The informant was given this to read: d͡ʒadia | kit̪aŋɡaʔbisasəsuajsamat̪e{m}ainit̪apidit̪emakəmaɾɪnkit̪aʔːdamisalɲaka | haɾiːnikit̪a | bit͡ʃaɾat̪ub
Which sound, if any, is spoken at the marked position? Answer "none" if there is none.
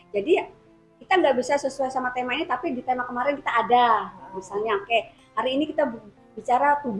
m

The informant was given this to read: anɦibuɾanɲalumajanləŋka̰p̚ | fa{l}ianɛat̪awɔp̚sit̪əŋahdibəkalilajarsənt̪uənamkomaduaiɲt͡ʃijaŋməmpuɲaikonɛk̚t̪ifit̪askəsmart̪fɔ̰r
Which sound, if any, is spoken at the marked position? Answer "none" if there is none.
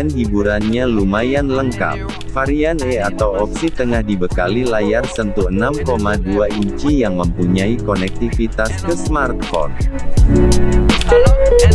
ɾ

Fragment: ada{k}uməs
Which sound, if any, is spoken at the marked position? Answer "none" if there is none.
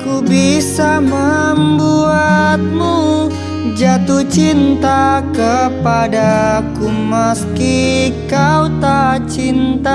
k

